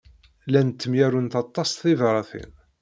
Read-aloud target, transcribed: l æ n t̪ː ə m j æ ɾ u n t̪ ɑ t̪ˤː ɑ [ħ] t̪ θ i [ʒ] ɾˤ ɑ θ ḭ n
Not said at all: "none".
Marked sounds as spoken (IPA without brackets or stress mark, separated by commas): s, v